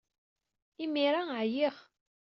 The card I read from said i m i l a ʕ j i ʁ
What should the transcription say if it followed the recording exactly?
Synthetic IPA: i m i ɾ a ʕ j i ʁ